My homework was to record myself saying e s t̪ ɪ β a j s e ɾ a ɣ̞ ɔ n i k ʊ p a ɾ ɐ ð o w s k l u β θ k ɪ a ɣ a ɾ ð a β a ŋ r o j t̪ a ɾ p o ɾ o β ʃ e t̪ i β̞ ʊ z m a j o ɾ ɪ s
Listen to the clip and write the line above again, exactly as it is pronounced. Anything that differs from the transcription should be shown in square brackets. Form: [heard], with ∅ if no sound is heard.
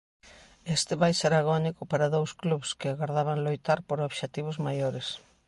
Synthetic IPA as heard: e s t̪ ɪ β a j s e ɾ a ɣ̞ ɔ n i k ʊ p a ɾ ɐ ð o w s k l u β [s] k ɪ a ɣ a ɾ ð a β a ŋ [l] o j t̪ a ɾ p o ɾ o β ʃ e t̪ i β̞ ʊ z m a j o ɾ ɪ s